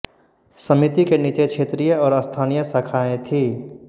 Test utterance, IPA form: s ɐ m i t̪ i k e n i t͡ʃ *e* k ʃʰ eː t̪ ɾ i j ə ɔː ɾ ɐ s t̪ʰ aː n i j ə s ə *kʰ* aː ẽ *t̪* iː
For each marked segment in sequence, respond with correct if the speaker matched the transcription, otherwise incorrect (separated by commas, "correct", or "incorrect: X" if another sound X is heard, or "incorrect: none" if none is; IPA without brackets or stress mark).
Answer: correct, correct, incorrect: t̪ʰ